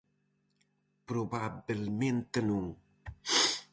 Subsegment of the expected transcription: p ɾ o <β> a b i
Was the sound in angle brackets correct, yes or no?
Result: no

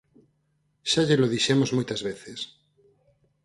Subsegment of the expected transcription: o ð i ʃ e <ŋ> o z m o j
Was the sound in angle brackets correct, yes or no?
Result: no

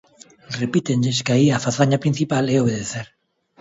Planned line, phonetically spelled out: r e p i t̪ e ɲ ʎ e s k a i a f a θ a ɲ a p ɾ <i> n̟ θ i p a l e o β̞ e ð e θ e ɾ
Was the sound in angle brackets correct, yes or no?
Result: yes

